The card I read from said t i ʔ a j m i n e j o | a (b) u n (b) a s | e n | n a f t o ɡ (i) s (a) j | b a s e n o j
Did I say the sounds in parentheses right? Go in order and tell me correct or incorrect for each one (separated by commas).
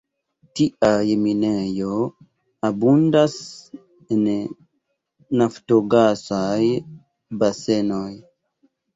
correct, incorrect, incorrect, correct